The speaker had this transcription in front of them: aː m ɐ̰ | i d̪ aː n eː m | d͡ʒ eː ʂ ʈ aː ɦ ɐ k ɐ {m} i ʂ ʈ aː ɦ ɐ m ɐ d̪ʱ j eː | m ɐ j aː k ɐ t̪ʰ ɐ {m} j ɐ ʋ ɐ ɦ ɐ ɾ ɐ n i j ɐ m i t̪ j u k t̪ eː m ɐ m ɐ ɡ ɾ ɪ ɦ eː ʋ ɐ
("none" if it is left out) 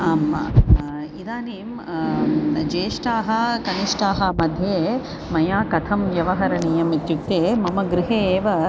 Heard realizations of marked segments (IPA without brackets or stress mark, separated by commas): n, m